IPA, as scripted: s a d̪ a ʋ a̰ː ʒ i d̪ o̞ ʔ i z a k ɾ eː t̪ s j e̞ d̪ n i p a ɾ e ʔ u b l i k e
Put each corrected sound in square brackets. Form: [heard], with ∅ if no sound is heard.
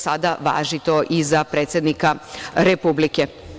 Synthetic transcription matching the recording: s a d̪ a ʋ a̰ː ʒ i [t̪] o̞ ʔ i z a [p] ɾ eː t̪ s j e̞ d̪ n i [k] a ɾ e [p] u b l i k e